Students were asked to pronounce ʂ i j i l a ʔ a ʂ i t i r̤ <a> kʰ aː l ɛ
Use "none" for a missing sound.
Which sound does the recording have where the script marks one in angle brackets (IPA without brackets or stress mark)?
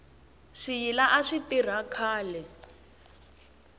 a